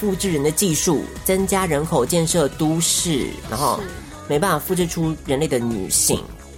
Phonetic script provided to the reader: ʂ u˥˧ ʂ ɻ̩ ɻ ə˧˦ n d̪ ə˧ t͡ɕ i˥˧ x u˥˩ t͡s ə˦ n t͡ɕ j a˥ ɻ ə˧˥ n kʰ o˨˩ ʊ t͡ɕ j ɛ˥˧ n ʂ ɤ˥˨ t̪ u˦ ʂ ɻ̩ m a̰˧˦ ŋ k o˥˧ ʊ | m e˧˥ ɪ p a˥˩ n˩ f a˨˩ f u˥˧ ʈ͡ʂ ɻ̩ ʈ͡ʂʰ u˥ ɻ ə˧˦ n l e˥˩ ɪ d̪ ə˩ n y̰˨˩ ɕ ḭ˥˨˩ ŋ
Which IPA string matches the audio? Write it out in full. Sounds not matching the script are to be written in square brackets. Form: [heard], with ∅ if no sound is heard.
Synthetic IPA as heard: [f] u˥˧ [ʈ͡ʂ] ɻ̩ ɻ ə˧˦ n d̪ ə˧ t͡ɕ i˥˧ [ʂ] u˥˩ t͡s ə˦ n t͡ɕ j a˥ ɻ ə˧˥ n kʰ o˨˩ ʊ t͡ɕ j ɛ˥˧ n ʂ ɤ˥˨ t̪ u˦ ʂ ɻ̩ [n] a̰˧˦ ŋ [x] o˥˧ ʊ | m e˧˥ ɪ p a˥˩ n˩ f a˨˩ f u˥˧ ʈ͡ʂ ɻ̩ ʈ͡ʂʰ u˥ ɻ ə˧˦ n l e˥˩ ɪ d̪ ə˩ n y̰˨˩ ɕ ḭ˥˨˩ ŋ